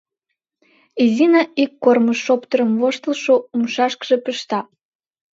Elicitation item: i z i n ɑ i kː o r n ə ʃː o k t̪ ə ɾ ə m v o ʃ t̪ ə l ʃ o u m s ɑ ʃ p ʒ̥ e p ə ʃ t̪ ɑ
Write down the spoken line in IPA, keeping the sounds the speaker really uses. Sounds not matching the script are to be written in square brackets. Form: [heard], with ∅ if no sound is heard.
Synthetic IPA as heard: i z i n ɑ i kː o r [m] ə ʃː o [p] t̪ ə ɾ ə m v o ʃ t̪ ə l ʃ o u m [ʃ] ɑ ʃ [k] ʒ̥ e p ə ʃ t̪ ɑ